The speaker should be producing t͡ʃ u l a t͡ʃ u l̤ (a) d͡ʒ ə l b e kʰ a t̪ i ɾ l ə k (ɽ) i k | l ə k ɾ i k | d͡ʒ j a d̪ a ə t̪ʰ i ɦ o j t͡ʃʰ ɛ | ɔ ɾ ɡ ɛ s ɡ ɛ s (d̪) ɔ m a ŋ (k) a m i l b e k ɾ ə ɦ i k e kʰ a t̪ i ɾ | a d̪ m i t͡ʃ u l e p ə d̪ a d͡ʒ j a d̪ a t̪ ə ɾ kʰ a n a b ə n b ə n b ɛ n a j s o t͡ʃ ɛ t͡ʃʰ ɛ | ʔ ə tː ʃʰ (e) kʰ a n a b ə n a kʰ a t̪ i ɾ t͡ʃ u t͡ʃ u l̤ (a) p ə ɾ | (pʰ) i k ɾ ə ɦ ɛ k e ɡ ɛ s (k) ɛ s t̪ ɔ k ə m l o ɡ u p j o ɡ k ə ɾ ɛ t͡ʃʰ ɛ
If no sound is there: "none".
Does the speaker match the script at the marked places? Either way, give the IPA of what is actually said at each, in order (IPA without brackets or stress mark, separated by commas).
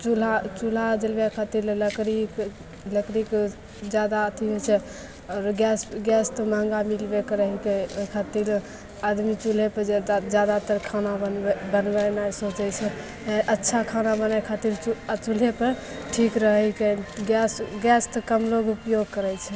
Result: a, ɾ, t̪, ɡ, a, e, ʈʰ, ɡ